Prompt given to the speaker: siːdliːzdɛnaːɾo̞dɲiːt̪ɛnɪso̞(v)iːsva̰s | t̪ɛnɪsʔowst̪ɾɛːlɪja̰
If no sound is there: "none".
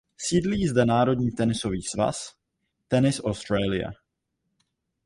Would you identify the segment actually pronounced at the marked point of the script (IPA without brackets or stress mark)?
v